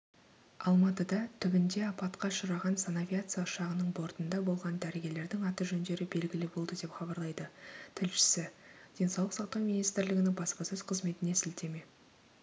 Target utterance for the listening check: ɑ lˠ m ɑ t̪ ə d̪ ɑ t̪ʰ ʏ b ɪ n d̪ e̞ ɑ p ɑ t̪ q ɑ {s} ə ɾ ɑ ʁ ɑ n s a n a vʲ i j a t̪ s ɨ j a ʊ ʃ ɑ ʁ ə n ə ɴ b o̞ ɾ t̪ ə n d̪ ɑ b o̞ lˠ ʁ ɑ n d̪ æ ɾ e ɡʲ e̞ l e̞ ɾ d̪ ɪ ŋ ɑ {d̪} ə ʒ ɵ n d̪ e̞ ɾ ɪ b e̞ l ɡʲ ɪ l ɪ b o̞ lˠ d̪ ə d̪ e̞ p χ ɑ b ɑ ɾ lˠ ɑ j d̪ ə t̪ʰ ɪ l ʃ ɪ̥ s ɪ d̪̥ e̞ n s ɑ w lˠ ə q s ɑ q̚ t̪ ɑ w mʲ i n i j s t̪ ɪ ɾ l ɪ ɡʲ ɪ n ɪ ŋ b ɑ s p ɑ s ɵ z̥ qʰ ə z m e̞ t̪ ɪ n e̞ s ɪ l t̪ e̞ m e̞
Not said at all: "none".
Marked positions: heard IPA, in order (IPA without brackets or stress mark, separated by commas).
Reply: ʃ, t̪